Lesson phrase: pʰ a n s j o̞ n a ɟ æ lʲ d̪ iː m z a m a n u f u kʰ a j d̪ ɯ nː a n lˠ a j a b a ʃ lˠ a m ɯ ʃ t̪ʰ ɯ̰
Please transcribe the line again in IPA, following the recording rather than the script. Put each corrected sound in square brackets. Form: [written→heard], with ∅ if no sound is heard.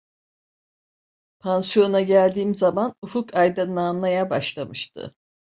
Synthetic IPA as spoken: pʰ a n s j o̞ n a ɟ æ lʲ d̪ iː m z a m a n u f u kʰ a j d̪ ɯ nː a n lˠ a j a b a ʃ lˠ a m ɯ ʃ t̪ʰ ɯ̰